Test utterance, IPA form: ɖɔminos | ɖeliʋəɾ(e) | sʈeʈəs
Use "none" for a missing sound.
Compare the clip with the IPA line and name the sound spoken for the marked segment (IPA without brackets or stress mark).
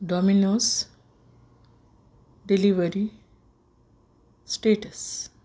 i